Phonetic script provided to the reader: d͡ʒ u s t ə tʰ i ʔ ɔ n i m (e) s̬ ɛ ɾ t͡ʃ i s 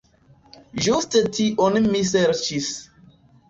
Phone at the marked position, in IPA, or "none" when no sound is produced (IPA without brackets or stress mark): i